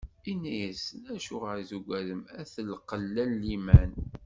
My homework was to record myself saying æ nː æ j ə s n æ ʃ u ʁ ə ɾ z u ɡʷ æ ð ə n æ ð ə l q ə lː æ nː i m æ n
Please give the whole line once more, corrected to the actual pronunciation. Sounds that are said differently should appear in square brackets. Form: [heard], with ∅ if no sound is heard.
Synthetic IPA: [i] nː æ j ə s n æ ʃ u ʁ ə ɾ z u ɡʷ æ ð ə [m] æ [θ] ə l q ə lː æ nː i m æ n

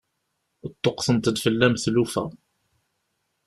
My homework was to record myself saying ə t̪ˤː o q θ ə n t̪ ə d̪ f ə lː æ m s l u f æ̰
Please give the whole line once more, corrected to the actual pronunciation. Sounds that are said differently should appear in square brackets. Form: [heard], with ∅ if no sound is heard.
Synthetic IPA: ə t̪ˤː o q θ ə n t̪ ə d̪ f ə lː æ m [θ] l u f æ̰

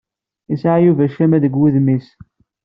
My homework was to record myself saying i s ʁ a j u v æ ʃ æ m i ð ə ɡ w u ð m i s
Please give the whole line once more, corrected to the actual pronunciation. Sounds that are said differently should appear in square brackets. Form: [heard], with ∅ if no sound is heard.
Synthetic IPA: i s [ʕ] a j u v æ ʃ æ m [æ] ð ə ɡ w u ð m i s

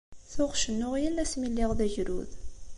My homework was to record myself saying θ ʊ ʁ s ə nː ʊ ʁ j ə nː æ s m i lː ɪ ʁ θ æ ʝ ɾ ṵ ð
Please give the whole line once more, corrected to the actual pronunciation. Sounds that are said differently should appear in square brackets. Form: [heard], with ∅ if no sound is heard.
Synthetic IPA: θ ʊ ʁ [ʃ] ə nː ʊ ʁ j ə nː æ s m i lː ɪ ʁ [ð] æ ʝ ɾ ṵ ð

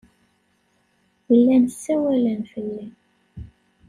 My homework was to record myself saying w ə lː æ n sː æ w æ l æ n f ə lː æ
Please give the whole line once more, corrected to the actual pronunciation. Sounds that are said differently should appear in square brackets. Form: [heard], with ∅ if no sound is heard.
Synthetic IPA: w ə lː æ n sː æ w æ l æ n f ə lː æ

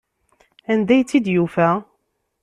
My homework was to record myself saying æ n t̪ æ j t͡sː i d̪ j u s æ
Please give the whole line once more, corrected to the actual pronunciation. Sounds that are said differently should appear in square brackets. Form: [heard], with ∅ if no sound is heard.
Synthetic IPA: æ n [d̪] æ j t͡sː i d̪ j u [f] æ

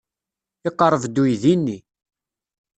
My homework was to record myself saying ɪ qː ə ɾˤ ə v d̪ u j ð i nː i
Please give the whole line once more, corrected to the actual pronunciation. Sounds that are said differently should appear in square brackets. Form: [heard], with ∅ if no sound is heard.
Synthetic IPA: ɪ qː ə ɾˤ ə v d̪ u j ð i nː i

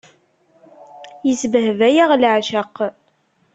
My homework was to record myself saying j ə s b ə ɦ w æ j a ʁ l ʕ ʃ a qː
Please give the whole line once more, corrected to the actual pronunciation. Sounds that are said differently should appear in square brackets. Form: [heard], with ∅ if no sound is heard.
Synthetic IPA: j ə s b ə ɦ [v] æ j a ʁ l ʕ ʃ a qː

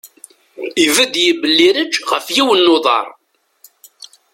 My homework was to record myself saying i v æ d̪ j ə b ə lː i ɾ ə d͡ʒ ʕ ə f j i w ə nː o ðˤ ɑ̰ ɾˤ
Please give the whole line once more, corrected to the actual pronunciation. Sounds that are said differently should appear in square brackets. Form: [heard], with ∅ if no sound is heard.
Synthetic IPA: i v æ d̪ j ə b ə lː i ɾ ə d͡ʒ [ʁ] ə f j i w ə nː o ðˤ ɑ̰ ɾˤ

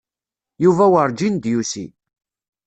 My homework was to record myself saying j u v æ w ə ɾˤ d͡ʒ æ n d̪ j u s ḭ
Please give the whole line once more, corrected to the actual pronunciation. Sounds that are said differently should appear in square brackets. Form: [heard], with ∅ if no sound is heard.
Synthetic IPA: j u v æ w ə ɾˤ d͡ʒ [i] n d̪ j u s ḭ

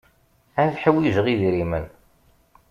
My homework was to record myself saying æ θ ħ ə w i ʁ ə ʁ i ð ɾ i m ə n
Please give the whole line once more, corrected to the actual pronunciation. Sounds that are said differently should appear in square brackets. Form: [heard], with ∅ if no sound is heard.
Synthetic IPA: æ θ ħ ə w i [ʒ] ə ʁ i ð ɾ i m ə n

